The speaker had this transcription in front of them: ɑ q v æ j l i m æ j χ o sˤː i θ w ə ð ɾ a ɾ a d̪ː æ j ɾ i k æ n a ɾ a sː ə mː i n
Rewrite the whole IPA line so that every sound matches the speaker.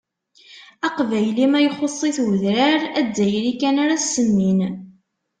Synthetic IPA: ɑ q v æ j l i m æ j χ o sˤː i θ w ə ð ɾ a ɾ æ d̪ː æ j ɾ i k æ n a ɾ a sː ə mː i n